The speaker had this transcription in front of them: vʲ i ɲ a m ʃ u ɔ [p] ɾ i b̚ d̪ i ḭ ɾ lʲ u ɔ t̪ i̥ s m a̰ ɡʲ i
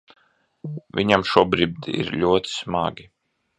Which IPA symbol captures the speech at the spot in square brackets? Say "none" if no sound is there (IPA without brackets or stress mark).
b